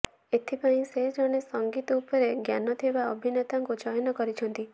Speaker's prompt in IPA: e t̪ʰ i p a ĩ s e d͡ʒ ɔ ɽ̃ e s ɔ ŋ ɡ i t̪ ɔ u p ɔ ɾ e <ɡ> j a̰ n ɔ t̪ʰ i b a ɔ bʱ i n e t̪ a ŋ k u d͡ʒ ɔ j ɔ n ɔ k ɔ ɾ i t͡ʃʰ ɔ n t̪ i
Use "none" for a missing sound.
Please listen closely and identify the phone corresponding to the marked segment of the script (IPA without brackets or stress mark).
ɡ